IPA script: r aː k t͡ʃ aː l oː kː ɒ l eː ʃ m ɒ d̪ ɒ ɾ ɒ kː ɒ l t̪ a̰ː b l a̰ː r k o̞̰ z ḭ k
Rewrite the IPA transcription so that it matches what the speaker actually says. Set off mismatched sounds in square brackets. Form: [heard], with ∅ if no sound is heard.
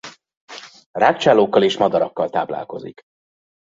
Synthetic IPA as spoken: r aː k t͡ʃ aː l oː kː ɒ l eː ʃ m ɒ d̪ ɒ ɾ ɒ kː ɒ l t̪ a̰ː b l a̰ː [l] k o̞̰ z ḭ k